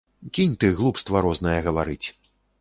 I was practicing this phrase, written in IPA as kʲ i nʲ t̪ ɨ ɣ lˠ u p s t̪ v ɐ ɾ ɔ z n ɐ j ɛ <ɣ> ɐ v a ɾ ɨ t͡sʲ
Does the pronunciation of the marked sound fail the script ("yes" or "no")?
no